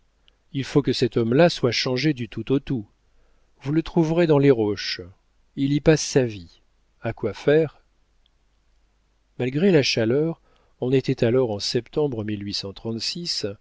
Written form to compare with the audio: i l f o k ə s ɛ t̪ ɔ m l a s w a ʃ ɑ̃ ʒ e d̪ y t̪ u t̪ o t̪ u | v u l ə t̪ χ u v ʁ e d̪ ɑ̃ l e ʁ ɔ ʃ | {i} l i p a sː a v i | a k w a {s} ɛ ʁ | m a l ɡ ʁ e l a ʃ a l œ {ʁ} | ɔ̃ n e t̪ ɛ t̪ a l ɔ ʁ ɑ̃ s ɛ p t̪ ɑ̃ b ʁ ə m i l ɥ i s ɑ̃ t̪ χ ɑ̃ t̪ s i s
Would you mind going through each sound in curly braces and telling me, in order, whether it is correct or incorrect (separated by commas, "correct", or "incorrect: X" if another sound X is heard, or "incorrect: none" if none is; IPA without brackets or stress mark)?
correct, incorrect: f, correct